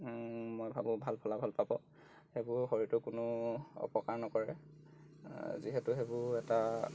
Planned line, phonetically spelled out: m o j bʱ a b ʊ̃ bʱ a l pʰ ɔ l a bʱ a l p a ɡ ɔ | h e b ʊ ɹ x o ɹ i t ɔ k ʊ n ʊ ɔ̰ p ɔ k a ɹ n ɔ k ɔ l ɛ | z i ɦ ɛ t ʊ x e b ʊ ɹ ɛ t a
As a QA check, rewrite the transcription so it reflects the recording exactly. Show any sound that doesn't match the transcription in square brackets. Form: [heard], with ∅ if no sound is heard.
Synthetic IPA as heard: m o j bʱ a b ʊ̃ bʱ a l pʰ ɔ l a bʱ a l p a [b] ɔ | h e b ʊ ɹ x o ɹ i t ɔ k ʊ n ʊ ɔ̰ p ɔ k a ɹ n ɔ k ɔ [ɹ] ɛ | z i ɦ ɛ t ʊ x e b ʊ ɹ ɛ t a